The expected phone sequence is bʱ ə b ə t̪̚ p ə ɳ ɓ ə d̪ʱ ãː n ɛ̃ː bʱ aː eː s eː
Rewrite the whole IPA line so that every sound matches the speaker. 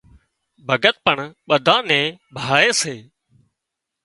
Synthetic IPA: bʱ ə ɡ ə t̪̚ p ə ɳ ɓ ə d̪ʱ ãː n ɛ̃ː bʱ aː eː s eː